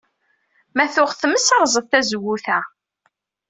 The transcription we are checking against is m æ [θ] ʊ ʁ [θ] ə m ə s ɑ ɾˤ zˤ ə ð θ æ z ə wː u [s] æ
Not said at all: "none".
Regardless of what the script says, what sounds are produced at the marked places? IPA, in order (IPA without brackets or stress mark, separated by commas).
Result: θ, θ, θ